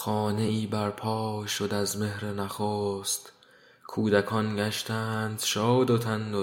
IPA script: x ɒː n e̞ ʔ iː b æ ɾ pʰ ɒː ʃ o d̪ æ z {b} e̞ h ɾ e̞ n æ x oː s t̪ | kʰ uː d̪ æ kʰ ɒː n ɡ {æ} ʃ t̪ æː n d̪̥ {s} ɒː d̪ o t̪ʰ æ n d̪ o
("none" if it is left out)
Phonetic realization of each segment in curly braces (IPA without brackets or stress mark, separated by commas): m, æ, ʃ